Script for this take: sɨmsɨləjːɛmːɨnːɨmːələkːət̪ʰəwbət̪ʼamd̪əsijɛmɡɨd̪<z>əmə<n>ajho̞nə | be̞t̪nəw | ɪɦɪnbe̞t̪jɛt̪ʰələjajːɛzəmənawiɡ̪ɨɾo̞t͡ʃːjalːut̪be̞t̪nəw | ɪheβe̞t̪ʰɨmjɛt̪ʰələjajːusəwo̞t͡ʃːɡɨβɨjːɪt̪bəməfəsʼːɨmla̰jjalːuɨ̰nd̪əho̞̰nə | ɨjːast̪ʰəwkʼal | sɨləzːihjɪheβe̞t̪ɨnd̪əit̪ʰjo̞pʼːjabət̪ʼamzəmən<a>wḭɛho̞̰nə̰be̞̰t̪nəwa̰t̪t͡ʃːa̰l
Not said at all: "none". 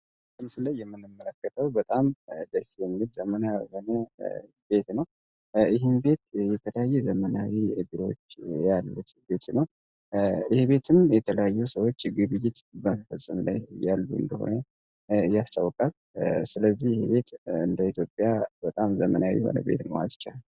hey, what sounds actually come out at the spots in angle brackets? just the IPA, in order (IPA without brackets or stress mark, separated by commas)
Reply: z, n, a